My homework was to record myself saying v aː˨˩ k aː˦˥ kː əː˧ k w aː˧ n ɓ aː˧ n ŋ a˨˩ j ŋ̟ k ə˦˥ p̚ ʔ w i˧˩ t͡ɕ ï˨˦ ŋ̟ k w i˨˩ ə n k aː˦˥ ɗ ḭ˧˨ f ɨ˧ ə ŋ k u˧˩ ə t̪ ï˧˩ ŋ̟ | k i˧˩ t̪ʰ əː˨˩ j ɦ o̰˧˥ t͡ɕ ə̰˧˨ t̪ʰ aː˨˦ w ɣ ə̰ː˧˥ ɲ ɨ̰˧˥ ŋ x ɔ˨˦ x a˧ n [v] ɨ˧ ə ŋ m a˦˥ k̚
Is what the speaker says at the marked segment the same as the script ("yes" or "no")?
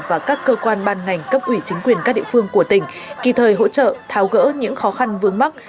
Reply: yes